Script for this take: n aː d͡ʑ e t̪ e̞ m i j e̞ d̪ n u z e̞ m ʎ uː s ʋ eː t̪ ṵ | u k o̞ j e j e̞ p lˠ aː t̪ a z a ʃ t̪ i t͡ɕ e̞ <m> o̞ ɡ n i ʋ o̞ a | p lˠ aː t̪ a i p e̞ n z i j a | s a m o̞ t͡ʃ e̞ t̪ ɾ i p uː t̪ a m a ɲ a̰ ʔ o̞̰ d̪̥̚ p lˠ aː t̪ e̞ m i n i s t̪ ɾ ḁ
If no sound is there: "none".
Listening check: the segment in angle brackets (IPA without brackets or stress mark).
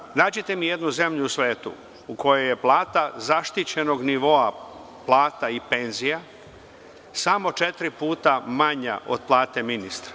n